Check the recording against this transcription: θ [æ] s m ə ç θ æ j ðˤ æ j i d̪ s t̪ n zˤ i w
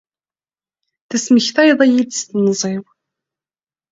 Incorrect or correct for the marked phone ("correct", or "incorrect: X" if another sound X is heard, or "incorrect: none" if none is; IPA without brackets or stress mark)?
correct